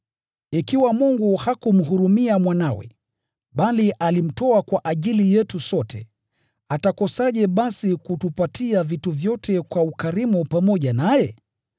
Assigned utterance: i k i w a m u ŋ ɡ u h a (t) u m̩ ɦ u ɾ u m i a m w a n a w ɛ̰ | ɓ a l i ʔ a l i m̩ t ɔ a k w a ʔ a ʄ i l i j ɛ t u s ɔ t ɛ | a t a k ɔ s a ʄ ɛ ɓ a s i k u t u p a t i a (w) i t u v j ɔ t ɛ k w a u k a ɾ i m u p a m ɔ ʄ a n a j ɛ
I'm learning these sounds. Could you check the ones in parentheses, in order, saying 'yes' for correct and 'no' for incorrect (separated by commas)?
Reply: no, no